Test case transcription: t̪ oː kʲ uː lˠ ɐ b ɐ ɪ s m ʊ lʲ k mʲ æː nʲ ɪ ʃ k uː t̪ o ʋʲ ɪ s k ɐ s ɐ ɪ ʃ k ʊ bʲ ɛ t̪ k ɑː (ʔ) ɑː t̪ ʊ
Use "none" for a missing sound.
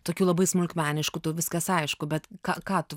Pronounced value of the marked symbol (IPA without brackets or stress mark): k